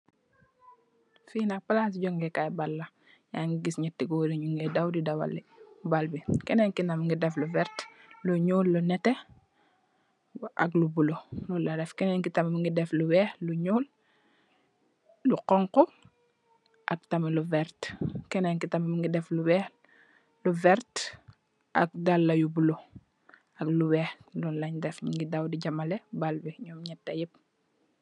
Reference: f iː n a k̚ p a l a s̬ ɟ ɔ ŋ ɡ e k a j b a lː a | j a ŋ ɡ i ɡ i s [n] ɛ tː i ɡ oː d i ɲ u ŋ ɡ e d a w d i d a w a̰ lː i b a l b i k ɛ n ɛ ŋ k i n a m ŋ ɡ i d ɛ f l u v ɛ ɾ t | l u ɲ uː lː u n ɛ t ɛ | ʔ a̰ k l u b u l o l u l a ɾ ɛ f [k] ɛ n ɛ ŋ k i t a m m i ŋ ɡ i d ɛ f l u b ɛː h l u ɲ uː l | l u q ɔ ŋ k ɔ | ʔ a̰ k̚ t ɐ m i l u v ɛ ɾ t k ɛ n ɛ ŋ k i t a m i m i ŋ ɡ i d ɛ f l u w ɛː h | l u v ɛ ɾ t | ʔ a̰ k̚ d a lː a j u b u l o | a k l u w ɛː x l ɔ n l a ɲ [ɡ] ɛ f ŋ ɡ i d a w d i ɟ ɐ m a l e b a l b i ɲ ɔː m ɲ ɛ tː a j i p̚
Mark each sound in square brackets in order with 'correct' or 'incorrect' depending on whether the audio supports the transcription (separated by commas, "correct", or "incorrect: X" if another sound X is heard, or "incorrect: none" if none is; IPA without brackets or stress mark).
incorrect: ɲ, correct, incorrect: d